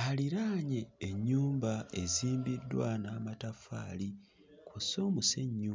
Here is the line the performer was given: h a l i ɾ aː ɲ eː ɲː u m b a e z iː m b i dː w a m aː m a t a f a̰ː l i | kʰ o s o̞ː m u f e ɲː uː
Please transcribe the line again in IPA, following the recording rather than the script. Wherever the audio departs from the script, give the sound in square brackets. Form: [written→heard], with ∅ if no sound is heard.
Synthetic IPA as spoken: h a l i ɾ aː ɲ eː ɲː [u→uː] m b a e z iː m b i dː w a [m→n] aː m a t a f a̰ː l i | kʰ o s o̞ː m u [f→s] e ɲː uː